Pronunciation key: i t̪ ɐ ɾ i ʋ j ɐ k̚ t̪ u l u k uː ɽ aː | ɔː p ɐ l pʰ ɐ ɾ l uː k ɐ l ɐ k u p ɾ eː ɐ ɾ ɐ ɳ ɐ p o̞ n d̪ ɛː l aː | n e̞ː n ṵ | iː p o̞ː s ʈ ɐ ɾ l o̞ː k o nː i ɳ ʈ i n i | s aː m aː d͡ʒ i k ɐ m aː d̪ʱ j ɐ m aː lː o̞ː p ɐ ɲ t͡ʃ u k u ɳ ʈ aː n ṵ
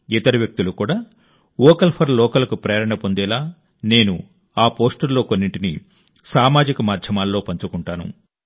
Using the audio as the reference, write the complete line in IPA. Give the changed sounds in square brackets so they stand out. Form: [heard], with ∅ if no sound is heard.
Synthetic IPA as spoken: i t̪ ɐ ɾ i ʋ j ɐ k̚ t̪ u l u k uː ɽ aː | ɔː [k] ɐ l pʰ ɐ ɾ l [ɔː] k ɐ l ɐ k u p ɾ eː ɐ ɾ ɐ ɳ ɐ p o̞ n d̪ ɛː l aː | n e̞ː n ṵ | [aː] p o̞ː s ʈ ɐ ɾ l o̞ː k o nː i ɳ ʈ i n i | s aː m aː d͡ʒ i k ɐ m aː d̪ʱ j ɐ m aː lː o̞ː p ɐ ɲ t͡ʃ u k u ɳ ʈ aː n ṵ